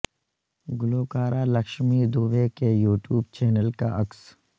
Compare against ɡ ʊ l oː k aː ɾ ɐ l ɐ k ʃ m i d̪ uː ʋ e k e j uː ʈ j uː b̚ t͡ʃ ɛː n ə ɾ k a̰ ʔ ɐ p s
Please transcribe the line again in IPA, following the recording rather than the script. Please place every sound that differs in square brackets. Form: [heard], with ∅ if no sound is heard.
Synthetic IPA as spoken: ɡ ʊ l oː k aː ɾ [a] l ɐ k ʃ m i d̪ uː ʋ e k e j uː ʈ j uː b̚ t͡ʃ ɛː n ə [l] k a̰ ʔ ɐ [k] s